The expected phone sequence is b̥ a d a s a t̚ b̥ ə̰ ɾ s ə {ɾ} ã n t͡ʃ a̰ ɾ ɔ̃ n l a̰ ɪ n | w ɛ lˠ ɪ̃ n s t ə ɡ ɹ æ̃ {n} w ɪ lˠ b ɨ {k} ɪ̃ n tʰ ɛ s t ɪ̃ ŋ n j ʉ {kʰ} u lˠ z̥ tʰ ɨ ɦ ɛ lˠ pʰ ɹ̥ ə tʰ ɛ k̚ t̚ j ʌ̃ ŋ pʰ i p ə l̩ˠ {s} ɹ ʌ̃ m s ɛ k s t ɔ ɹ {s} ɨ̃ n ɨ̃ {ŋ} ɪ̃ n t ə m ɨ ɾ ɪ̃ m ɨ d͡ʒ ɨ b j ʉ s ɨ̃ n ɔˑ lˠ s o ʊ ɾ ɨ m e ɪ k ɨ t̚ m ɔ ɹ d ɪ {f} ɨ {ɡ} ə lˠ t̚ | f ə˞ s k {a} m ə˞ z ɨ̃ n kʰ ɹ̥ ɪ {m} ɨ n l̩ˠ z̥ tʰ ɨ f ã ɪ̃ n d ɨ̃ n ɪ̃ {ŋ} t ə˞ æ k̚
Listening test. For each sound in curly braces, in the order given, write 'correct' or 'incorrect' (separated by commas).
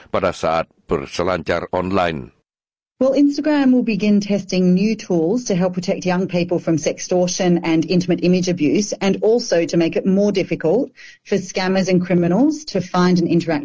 incorrect, incorrect, incorrect, incorrect, incorrect, incorrect, incorrect, correct, incorrect, incorrect, correct, incorrect